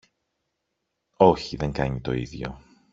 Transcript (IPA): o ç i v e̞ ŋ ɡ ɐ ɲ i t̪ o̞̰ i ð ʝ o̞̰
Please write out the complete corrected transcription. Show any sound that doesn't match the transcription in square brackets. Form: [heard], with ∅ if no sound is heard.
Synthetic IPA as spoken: o ç i [ð] e̞ ŋ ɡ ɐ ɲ i t̪ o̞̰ i ð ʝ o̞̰